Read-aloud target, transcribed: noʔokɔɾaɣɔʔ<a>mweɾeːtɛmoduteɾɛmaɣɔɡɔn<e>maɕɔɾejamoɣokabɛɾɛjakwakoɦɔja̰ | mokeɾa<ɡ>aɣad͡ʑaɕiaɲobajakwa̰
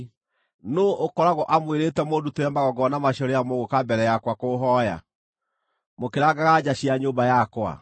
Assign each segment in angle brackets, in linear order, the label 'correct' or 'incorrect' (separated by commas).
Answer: correct, incorrect, correct